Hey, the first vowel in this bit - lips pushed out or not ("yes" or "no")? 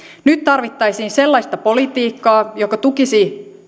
yes